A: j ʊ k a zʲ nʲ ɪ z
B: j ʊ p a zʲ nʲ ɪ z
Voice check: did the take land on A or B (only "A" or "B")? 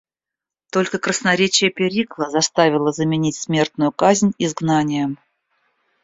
A